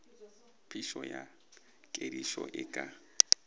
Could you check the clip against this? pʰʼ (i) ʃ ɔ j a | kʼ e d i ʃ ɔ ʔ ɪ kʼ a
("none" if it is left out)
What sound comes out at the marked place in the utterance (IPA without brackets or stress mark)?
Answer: i